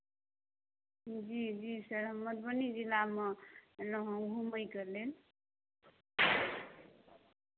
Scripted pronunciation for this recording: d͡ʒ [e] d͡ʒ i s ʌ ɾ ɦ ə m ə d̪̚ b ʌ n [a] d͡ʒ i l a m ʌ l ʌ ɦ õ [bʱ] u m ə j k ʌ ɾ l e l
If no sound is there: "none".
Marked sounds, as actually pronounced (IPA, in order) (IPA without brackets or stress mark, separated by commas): i, i, ɡʱ